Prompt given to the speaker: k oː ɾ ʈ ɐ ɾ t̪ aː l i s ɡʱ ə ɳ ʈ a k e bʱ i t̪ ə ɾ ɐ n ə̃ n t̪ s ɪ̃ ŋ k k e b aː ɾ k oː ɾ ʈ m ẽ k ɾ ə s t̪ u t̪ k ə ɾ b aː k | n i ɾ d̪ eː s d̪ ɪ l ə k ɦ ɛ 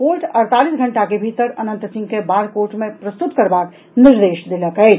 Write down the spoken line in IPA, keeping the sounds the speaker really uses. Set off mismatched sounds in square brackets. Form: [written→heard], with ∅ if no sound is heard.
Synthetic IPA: k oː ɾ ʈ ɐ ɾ t̪ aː l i s ɡʱ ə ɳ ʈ a k e bʱ i t̪ ə ɾ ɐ n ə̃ n t̪ s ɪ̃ ŋ [k→ɡ] k e b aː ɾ k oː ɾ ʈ m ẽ [k→p] ɾ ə s t̪ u t̪ k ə ɾ b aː k | n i ɾ d̪ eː [s→ʃ] d̪ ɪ l ə k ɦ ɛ